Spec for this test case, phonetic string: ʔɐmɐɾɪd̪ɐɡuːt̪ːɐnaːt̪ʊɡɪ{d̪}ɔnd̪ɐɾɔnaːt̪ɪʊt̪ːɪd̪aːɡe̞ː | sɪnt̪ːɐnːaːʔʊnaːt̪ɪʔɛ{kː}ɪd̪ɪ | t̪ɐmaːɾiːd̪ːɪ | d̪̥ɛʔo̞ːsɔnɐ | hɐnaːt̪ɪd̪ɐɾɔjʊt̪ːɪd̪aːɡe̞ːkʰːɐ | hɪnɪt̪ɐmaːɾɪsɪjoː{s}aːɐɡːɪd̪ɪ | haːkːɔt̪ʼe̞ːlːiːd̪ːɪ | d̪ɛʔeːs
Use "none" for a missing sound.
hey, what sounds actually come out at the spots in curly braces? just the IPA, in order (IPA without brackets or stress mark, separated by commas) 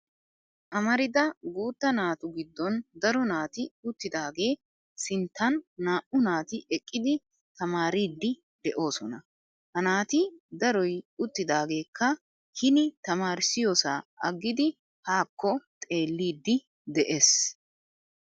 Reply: d̪ː, kʼː, s